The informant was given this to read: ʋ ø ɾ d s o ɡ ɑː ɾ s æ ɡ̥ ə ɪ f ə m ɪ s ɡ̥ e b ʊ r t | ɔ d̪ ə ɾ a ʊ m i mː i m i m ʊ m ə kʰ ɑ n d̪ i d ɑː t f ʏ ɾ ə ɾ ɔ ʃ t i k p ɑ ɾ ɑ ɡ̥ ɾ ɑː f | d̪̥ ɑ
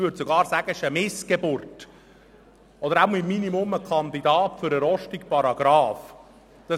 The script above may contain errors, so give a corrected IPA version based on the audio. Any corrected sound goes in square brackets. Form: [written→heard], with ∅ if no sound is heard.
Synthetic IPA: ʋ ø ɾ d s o ɡ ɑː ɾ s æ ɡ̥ ə ɪ [f→ʃ] ə m ɪ s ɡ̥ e b ʊ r t | ɔ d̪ ə ɾ a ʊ m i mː i [m→n] i m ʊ m ə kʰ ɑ n d̪ i d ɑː t f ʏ ɾ ə ɾ ɔ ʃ t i k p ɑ ɾ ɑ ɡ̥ ɾ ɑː f | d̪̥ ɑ